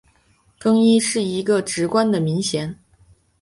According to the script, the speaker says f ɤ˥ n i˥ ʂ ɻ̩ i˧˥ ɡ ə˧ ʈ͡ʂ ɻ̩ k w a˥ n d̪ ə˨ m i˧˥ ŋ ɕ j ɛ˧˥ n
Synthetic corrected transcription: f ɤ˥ ŋ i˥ ʂ ɻ̩ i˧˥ ɡ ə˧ ʈ͡ʂ ɻ̩ k w a˥ n d̪ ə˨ m i˧˥ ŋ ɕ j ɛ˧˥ n